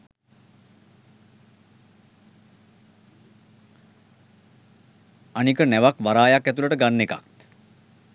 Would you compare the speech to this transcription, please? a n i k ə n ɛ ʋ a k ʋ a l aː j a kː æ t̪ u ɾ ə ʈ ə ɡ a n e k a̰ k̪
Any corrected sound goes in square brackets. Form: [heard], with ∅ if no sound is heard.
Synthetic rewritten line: a n i k ə n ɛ ʋ a k ʋ a [ɾ] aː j a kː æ t̪ u [l] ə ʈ ə ɡ a [nː] e k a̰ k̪